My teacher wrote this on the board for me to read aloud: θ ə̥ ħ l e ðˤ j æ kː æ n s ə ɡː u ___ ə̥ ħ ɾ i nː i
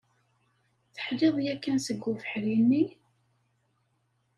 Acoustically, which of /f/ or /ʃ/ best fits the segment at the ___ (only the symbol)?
f